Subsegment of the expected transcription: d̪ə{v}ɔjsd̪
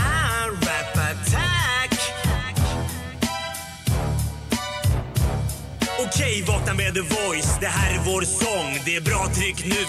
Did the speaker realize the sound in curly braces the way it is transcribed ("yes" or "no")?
yes